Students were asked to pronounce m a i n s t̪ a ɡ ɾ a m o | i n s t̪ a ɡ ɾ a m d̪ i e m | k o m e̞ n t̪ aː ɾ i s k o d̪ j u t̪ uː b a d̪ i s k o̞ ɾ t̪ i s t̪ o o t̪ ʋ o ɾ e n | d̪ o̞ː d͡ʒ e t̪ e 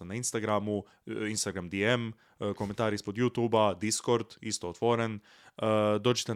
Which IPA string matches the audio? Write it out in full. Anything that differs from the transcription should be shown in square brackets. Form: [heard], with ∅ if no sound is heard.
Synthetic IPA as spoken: [n] a i n s t̪ a ɡ ɾ a m [u] | i n s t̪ a ɡ ɾ a m d̪ i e m | k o m e̞ n t̪ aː ɾ i s [p] o d̪ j u t̪ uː b a d̪ i s k o̞ ɾ [d̪] i s t̪ o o t̪ ʋ o ɾ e n | d̪ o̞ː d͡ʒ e t̪ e